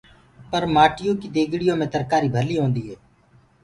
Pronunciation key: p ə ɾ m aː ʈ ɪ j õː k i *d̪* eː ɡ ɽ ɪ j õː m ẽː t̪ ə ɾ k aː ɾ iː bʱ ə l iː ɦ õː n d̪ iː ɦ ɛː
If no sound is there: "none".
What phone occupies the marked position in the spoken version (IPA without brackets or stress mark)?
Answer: d̪